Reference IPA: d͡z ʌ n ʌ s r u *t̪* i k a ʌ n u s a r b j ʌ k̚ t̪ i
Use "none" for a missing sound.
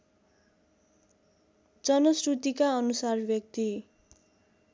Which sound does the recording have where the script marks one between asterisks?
t̪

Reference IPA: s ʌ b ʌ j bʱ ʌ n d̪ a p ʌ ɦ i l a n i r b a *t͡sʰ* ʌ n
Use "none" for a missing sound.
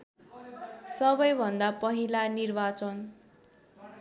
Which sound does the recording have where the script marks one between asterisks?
t͡s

